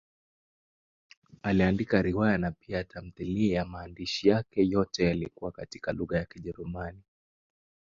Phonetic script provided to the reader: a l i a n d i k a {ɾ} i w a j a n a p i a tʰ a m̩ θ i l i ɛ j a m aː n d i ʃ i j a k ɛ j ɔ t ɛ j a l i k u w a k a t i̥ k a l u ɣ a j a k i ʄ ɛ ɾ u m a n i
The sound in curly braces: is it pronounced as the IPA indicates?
yes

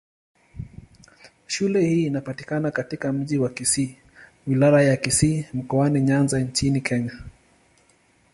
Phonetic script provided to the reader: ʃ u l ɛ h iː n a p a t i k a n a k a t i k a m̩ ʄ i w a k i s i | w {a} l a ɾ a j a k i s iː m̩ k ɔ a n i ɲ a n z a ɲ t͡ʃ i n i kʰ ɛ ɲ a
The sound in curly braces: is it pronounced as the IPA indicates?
no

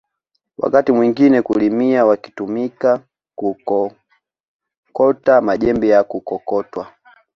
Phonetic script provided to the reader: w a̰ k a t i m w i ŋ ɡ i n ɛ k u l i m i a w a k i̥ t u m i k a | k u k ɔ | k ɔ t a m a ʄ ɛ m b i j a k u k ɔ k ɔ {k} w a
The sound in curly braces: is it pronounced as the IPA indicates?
no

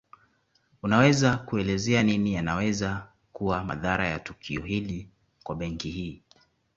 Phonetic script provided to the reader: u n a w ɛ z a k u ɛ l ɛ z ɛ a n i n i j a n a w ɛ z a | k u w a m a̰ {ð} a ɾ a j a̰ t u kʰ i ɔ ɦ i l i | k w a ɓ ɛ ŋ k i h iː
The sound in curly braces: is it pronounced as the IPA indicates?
yes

